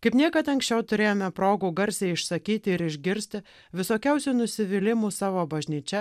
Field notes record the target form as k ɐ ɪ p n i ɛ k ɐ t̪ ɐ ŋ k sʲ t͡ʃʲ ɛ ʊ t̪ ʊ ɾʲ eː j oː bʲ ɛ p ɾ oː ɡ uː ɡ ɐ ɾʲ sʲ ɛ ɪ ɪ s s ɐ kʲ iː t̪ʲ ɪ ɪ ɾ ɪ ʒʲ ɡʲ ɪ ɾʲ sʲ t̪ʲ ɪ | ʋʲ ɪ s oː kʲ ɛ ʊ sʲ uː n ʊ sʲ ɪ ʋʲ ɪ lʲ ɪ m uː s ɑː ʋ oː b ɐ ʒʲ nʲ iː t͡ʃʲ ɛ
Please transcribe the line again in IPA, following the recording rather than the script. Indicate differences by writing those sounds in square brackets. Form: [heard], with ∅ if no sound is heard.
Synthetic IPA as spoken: k ɐ ɪ p n i ɛ k ɐ t̪ ɐ ŋ k sʲ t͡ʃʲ ɛ ʊ t̪ ʊ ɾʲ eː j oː [mʲ] ɛ p ɾ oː ɡ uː ɡ ɐ ɾʲ sʲ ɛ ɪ ɪ [ʃ] s ɐ kʲ iː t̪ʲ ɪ ɪ ɾ ɪ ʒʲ ɡʲ ɪ ɾʲ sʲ t̪ʲ ɪ | ʋʲ ɪ s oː kʲ ɛ ʊ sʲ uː n ʊ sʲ ɪ ʋʲ ɪ lʲ ɪ m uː s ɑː ʋ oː b ɐ ʒʲ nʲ iː t͡ʃʲ ɛ

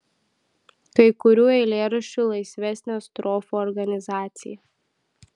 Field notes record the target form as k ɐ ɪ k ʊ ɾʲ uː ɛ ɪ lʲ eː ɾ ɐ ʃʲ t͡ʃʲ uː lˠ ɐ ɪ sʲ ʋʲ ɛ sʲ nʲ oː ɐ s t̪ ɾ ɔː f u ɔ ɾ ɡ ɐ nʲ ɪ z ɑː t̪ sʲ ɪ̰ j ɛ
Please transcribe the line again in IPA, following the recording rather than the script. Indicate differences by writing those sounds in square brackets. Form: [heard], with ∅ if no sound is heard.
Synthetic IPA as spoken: k ɐ ɪ k ʊ ɾʲ uː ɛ ɪ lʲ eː ɾ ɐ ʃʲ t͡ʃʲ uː lˠ ɐ ɪ sʲ ʋʲ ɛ sʲ nʲ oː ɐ s t̪ ɾ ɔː f u ɔ ɾ ɡ ɐ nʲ ɪ z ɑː t̪ sʲ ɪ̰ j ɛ

